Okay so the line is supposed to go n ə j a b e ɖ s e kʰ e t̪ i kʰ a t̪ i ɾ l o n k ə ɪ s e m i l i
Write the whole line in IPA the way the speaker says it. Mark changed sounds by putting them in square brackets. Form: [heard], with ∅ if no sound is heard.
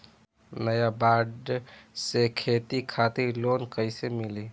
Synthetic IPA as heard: n ə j a b [a] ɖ s e kʰ e t̪ i kʰ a t̪ i ɾ l o n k ə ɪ s e m i l i

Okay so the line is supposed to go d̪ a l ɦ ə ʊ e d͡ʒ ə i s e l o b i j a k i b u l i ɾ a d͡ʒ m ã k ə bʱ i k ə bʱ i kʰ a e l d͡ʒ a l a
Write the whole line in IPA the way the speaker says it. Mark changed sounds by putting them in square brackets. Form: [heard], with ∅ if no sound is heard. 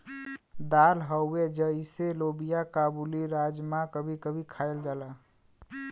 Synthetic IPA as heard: d̪ a l ɦ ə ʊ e d͡ʒ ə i s e l o b i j a k [a] b u l i ɾ a d͡ʒ m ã k ə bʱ i k ə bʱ i kʰ a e l d͡ʒ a l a

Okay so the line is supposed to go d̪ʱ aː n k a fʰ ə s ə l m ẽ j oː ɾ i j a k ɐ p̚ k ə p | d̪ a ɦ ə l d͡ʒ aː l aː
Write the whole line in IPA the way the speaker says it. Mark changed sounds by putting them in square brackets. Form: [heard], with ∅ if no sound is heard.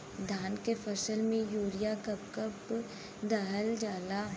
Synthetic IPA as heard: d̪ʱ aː n k [e] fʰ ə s ə l m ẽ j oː ɾ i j a k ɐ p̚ k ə p | d̪ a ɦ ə l d͡ʒ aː l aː

